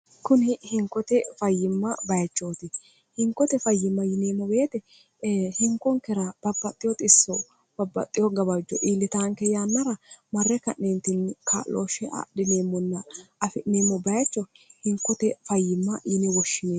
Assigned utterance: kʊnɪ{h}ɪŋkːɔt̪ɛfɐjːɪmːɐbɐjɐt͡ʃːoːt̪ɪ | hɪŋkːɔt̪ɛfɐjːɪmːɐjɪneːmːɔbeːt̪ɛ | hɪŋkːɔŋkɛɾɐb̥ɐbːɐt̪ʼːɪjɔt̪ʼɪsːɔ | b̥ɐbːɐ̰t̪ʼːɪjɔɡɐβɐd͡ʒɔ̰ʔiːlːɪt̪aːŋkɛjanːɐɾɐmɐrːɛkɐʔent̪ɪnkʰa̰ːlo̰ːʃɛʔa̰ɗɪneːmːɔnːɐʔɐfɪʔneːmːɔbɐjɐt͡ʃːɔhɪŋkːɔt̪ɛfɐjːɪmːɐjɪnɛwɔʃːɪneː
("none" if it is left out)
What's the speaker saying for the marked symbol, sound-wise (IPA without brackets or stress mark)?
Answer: h